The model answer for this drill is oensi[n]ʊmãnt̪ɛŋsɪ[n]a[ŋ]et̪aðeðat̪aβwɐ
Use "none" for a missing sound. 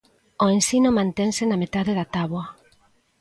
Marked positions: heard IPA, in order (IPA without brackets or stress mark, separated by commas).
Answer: n, n, m